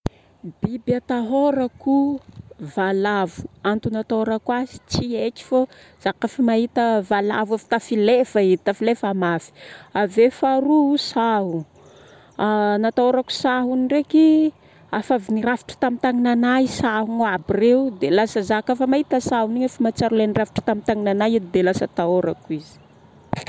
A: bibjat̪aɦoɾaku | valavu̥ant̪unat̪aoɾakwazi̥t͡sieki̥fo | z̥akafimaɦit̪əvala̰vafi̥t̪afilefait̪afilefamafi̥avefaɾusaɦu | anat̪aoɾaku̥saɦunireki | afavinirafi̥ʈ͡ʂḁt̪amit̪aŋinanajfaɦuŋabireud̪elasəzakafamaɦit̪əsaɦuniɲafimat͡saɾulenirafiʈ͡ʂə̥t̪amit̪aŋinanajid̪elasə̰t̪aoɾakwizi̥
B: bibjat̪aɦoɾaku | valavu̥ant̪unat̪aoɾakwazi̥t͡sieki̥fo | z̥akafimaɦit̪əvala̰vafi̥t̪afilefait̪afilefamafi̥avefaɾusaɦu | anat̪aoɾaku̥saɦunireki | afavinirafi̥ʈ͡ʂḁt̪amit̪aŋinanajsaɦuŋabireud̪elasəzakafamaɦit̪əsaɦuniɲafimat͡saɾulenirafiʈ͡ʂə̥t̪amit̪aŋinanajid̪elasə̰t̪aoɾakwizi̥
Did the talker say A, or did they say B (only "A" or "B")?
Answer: B